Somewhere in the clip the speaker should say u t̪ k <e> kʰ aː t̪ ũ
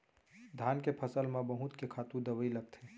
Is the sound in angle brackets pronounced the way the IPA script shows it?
yes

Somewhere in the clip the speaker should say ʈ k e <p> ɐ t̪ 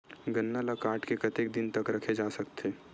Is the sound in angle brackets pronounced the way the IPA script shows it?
no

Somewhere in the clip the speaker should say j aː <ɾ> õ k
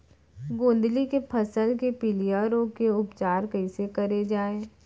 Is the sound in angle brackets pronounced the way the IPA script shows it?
yes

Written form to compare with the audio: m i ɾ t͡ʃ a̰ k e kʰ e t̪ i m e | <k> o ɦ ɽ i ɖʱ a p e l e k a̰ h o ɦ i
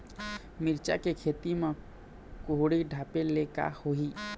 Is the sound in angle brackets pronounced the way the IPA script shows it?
yes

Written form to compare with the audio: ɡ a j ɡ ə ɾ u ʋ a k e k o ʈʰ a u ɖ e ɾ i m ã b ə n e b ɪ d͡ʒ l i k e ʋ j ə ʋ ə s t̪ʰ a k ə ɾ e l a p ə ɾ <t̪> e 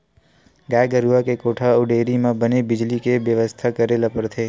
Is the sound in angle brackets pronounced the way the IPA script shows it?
no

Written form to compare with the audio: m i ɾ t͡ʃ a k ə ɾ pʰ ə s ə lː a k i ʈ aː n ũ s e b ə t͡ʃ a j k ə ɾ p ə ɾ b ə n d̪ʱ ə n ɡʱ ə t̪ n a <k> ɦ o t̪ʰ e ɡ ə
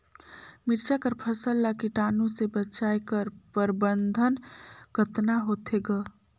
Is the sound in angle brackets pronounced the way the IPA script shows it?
no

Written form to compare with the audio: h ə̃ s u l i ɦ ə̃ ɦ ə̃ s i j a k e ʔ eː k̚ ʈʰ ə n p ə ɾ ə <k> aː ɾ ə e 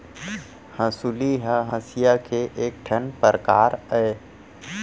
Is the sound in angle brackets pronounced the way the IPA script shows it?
yes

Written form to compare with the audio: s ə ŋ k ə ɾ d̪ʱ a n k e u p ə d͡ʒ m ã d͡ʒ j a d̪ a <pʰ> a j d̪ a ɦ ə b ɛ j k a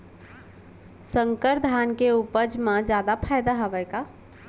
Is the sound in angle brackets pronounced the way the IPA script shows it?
yes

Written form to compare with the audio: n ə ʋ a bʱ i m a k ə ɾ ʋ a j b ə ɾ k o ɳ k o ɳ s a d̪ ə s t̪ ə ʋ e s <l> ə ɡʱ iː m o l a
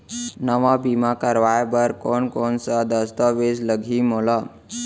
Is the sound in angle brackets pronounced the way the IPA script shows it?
yes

